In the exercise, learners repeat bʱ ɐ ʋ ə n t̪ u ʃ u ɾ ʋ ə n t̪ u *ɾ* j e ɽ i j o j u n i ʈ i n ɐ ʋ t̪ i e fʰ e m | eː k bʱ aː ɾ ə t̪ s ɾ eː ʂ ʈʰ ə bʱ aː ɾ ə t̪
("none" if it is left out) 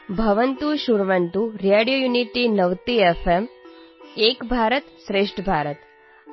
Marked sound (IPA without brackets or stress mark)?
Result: ɾ